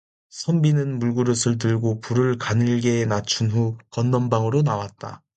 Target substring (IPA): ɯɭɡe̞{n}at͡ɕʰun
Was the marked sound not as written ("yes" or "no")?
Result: no